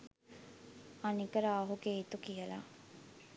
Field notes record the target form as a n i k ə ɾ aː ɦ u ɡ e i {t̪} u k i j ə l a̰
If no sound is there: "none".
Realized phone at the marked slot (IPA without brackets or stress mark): t̪